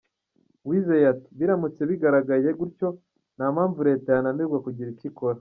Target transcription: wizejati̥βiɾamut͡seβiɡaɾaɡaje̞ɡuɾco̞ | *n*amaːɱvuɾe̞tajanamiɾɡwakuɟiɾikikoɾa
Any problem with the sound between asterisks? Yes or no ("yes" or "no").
no